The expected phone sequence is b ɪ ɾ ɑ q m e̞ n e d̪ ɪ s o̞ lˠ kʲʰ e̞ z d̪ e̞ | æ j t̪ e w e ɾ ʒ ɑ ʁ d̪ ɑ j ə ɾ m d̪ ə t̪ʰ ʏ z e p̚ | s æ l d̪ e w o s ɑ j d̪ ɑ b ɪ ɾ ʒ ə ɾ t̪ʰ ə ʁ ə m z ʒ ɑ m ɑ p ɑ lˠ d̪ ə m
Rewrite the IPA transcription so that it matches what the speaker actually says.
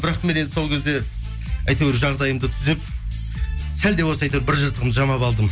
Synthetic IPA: b ɪ ɾ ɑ q m e̞ n e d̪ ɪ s o̞ lˠ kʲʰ e̞ z d̪ e̞ | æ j t̪ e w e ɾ ʒ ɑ ʁ d̪ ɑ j ə m d̪ ə t̪ʰ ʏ z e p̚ | s æ l d̪ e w o s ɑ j t̪ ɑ b ɪ ɾ ʒ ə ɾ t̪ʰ ə ʁ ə m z ʒ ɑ m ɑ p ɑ lˠ d̪ ə m